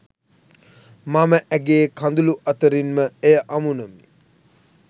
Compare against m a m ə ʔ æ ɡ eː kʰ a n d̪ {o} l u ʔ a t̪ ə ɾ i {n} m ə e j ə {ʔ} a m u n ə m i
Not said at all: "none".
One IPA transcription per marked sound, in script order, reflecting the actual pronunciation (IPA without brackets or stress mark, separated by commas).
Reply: u, n, ʔ